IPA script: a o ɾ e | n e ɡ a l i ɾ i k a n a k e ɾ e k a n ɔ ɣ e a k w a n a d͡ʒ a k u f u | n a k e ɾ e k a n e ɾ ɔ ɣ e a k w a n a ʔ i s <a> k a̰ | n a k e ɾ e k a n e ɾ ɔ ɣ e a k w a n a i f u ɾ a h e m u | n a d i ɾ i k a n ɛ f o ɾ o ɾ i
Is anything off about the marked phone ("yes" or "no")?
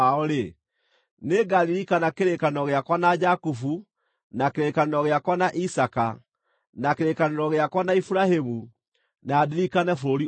no